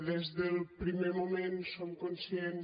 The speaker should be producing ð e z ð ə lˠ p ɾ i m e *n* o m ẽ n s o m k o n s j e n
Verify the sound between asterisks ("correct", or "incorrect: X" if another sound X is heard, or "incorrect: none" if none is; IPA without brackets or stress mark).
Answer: incorrect: m